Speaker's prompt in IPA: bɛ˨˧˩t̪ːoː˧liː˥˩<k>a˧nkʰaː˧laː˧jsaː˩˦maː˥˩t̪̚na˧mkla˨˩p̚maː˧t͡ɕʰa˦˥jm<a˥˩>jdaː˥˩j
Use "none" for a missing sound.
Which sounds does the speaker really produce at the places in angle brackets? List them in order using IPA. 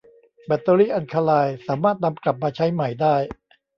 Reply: ʔ, a˨˩

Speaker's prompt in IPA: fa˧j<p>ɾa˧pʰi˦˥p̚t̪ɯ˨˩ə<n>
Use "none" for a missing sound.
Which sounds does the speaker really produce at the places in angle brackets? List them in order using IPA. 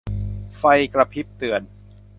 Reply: k, n

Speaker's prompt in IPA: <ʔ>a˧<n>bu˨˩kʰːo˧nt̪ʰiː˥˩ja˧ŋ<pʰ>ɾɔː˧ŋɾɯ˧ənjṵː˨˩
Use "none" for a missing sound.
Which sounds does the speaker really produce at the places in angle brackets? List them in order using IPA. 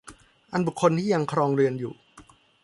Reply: ʔ, n, kʰ

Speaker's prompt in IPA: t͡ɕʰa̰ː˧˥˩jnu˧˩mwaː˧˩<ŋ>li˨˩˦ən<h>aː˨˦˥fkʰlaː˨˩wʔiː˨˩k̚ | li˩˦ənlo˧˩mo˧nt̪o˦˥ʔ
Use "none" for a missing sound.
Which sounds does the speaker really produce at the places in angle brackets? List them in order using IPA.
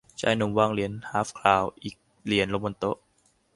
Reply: ŋ, h

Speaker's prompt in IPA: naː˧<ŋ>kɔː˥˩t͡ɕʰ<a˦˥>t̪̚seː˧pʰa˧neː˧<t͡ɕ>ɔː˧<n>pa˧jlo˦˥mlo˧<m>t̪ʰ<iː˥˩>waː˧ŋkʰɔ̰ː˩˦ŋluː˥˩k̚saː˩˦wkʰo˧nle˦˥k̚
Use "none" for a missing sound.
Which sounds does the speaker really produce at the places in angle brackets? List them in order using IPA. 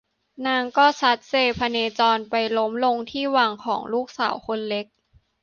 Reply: ŋ, a˦˥, t͡ɕ, n, ŋ, iː˥˩

